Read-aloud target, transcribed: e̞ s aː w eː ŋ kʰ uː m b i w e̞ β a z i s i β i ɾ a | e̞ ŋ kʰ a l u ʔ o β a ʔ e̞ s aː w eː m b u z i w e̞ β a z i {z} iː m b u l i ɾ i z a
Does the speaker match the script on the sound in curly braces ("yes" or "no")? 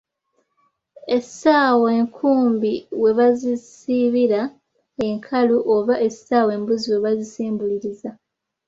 no